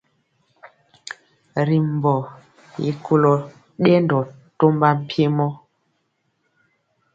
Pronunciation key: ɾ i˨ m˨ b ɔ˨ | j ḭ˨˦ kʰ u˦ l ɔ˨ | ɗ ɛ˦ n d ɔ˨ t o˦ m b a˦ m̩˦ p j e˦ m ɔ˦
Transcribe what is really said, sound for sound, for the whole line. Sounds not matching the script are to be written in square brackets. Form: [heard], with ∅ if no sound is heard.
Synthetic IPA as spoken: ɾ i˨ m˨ b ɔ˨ | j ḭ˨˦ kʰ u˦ l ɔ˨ | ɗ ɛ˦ n d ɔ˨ t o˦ m b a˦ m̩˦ p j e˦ m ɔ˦